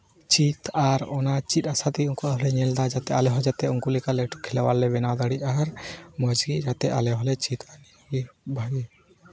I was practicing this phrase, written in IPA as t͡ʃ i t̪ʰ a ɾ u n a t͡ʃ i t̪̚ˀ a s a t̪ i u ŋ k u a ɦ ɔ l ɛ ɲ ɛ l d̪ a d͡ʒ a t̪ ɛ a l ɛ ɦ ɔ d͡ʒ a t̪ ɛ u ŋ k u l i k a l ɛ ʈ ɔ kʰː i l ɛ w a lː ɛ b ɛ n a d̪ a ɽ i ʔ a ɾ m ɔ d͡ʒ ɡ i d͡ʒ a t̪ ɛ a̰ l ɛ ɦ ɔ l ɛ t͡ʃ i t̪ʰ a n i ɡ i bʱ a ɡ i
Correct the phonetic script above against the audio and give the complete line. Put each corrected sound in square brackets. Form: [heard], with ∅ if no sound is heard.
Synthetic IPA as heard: t͡ʃ i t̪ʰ a ɾ [ɔ] n a t͡ʃ i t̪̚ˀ a s a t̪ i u ŋ k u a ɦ ɔ l ɛ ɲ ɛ l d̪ a d͡ʒ a t̪ ɛ a l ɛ ɦ ɔ d͡ʒ a t̪ ɛ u ŋ k u l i k a l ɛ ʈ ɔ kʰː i l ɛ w a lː ɛ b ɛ n a d̪ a ɽ i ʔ a ɾ m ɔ d͡ʒ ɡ i d͡ʒ a t̪ ɛ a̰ l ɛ ɦ ɔ l ɛ t͡ʃ i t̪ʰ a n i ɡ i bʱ a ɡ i

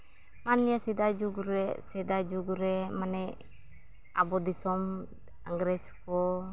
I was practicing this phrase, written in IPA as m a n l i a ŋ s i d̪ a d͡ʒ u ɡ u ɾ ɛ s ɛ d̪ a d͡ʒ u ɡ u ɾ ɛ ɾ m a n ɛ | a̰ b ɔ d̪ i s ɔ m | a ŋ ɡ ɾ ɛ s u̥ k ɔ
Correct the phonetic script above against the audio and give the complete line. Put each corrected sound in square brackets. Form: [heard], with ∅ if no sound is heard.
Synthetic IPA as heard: m a n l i a [∅] s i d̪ a d͡ʒ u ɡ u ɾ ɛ s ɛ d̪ a d͡ʒ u ɡ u ɾ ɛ [∅] m a n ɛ | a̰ b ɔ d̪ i s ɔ m | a ŋ ɡ ɾ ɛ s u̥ k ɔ

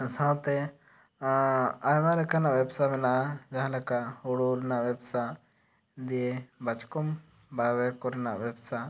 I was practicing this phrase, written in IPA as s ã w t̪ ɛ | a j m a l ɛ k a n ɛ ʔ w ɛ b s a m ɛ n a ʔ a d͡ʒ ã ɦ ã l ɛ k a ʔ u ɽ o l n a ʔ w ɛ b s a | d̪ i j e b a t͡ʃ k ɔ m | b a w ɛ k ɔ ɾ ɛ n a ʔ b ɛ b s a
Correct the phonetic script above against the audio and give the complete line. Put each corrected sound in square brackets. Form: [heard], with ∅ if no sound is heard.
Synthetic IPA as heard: s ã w t̪ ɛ | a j m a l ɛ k a n [a] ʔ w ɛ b s a m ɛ n a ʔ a d͡ʒ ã ɦ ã l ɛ k a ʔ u ɽ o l n a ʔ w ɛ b s a | d̪ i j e b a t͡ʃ k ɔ m | b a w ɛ k ɔ ɾ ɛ n a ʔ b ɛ b s a

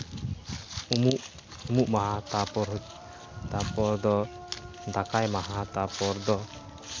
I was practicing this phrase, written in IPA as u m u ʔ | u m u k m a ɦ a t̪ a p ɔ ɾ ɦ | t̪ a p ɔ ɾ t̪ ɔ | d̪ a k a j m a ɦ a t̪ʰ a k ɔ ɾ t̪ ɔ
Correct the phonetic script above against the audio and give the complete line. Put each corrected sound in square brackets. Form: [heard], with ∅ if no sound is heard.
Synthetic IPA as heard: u m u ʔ | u m u [ʔ] m a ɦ a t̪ a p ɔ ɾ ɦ | t̪ a p ɔ ɾ [d̪] ɔ | d̪ a k a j m a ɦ a [t̪] a [p] ɔ ɾ [d̪] ɔ

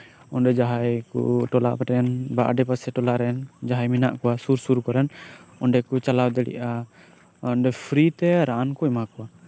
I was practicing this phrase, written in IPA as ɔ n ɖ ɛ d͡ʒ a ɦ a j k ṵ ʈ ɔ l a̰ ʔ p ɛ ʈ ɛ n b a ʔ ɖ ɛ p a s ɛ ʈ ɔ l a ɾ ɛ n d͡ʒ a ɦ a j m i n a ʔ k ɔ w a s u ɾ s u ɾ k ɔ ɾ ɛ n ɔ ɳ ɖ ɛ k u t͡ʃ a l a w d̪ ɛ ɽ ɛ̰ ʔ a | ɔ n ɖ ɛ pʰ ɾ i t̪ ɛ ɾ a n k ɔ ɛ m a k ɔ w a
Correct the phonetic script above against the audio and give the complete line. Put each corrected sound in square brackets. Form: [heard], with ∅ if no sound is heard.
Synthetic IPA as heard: ɔ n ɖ ɛ d͡ʒ a ɦ a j k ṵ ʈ ɔ l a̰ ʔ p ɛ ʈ ɛ n b a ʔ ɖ ɛ p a s ɛ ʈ ɔ l a ɾ ɛ n d͡ʒ a ɦ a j m i n a ʔ k ɔ w a s u ɾ s u ɾ k ɔ ɾ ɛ n ɔ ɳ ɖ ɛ k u t͡ʃ a l a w d̪ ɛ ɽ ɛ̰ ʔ a | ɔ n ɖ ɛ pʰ ɾ i t̪ ɛ ɾ a n k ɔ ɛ m a k ɔ w a

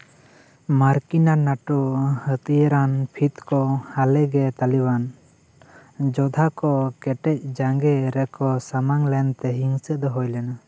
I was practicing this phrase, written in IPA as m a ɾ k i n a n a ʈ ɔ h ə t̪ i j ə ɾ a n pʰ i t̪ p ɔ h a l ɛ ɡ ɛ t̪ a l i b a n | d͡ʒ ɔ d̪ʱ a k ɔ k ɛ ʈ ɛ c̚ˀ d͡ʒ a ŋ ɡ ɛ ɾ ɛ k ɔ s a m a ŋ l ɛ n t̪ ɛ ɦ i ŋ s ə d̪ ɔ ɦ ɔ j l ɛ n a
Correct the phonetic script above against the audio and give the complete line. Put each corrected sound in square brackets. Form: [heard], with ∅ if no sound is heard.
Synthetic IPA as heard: m a ɾ k i n a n a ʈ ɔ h ə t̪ i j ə ɾ a n pʰ i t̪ [k] ɔ h a l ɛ ɡ ɛ t̪ a l i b a n | d͡ʒ ɔ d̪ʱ a k ɔ k ɛ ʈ ɛ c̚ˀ d͡ʒ a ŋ ɡ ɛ ɾ ɛ k ɔ s a m a ŋ l ɛ n t̪ ɛ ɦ i ŋ s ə d̪ ɔ ɦ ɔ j l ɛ n a

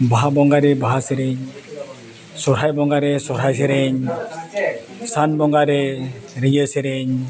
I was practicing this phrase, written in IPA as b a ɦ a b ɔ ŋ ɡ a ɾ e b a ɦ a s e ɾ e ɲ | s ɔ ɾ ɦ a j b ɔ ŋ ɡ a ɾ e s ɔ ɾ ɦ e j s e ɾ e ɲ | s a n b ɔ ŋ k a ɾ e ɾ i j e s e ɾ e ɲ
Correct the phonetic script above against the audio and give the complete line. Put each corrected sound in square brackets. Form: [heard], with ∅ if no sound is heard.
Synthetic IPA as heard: b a ɦ a b ɔ ŋ ɡ a ɾ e b a ɦ a s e ɾ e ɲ | s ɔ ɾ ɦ a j b ɔ ŋ ɡ a ɾ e s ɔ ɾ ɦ [a] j s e ɾ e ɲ | s a n b ɔ ŋ [ɡ] a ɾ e ɾ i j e s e ɾ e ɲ

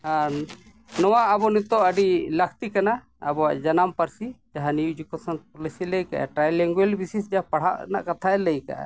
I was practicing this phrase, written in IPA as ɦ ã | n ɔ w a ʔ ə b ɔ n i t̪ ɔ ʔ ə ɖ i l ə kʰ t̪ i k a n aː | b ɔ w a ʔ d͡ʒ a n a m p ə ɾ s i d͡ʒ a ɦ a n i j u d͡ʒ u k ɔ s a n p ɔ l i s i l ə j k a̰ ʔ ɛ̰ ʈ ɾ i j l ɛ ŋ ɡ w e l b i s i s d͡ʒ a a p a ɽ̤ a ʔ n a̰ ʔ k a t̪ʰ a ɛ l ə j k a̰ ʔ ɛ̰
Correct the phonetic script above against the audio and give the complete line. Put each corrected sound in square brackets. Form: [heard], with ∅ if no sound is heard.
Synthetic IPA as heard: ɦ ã | n ɔ w a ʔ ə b ɔ n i t̪ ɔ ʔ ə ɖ i l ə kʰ t̪ i k a n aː | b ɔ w a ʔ d͡ʒ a n a m p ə ɾ s i d͡ʒ a ɦ a n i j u d͡ʒ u k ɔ s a n p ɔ l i s i l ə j k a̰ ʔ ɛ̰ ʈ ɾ [a] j l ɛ ŋ ɡ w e l b i s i s d͡ʒ a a p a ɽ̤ a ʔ n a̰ ʔ k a t̪ʰ a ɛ l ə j k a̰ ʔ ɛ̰

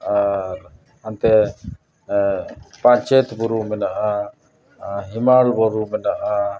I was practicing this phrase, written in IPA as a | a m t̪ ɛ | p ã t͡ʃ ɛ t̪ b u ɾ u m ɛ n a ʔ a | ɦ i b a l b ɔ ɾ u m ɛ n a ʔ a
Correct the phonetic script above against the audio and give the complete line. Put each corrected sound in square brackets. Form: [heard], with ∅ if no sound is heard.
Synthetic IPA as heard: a | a [n] t̪ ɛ | p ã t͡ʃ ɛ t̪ b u ɾ u m ɛ n a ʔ a | ɦ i [m] a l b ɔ ɾ u m ɛ n a ʔ a

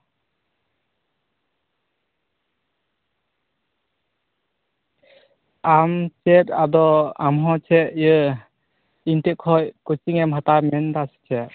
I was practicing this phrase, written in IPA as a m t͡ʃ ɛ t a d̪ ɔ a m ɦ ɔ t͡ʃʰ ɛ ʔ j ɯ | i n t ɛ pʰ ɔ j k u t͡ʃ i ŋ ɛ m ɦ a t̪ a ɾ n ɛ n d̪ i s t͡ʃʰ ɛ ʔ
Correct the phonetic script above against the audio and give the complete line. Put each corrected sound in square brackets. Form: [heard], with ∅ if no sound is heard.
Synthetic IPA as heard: a m t͡ʃ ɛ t a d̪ ɔ a m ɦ ɔ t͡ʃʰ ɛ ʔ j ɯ | i n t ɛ [kʰ] ɔ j k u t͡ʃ i ŋ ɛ m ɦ a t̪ a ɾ [m] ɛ n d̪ [a] s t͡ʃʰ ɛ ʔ

